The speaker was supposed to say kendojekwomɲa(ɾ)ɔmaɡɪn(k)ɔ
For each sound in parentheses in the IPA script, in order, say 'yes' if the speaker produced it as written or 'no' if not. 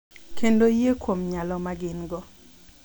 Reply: no, no

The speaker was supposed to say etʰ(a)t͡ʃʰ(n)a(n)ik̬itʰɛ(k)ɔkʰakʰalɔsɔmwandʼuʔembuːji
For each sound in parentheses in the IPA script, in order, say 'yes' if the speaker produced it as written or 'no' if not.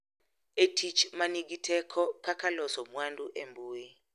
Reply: no, no, yes, no

